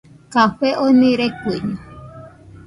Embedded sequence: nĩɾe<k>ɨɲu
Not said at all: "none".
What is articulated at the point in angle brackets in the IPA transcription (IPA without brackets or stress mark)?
k